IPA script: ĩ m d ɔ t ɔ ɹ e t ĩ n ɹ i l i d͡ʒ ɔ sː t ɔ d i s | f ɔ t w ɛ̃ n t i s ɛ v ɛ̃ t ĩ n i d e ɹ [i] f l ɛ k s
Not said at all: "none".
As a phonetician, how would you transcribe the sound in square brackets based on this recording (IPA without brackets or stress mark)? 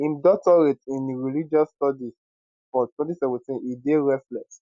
ɛ